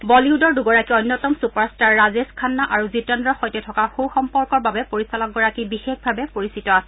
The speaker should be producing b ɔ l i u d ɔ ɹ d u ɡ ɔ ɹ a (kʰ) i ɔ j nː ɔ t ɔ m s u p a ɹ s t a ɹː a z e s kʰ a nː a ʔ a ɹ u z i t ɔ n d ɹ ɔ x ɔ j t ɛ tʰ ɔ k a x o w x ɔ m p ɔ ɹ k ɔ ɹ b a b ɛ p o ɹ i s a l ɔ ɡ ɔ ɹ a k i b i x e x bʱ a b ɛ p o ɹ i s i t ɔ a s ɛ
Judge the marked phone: incorrect: k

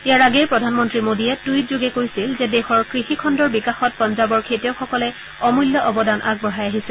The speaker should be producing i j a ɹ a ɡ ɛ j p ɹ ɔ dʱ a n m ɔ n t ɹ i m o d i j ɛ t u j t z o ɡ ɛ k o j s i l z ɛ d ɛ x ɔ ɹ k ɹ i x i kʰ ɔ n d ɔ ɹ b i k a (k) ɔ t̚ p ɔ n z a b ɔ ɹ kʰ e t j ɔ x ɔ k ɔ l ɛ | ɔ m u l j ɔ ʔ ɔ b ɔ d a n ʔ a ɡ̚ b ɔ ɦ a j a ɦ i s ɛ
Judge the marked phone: incorrect: x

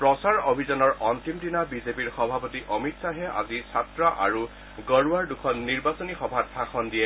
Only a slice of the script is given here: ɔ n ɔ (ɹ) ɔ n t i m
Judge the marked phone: correct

